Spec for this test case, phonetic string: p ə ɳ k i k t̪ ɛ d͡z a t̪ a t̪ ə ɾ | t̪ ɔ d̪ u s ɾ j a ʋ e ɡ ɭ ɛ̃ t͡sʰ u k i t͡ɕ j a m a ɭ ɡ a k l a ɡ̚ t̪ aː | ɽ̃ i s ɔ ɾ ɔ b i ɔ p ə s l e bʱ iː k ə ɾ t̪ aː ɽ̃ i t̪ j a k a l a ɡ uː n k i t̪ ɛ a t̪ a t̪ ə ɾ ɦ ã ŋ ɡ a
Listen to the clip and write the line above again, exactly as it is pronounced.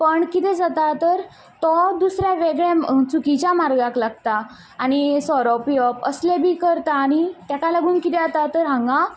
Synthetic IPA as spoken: p ə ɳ k i t̪ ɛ d͡z a t̪ a t̪ ə ɾ | t̪ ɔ d̪ u s ɾ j a ʋ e ɡ ɭ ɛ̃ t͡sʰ u k i t͡ɕ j a m a ɾ ɡ a k l a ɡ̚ t̪ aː | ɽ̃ i s ɔ ɾ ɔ p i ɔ p ə s l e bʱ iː k ə ɾ t̪ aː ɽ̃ i t̪ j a k a l a ɡ uː n k i t̪ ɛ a t̪ a t̪ ə ɾ ɦ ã ŋ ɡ a